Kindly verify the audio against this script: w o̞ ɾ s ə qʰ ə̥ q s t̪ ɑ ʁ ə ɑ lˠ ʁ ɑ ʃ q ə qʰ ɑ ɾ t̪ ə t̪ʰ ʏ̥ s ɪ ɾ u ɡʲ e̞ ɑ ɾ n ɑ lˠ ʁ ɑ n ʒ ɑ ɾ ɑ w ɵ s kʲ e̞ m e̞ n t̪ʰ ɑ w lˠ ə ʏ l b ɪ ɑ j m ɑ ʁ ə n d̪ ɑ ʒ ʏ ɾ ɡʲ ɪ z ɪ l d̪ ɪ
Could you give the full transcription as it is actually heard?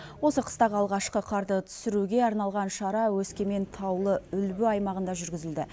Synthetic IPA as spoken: w o̞ s ə qʰ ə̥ s t̪ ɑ ʁ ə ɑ lˠ ʁ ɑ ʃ q ə qʰ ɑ ɾ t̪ ə t̪ʰ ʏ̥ s ɪ ɾ u ɡʲ e̞ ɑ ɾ n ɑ lˠ ʁ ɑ n ʃ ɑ ɾ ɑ w ɵ s kʲ e̞ m e̞ n t̪ʰ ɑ w lˠ ə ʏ l b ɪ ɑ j m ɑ ʁ ə n d̪ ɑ ʒ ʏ ɾ ɡʲ ɪ z ɪ l d̪ ɪ